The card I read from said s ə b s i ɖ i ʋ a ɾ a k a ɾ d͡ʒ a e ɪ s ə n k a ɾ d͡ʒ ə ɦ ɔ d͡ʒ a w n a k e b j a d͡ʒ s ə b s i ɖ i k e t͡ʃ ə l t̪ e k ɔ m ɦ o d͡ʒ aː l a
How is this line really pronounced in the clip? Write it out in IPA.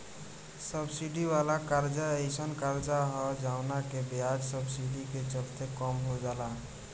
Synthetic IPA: s ə b s i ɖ i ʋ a l a k a ɾ d͡ʒ a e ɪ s ə n k a ɾ d͡ʒ a ɦ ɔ d͡ʒ a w n a k e b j a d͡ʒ s ə b s i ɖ i k e t͡ʃ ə l t̪ e k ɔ m ɦ o d͡ʒ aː l a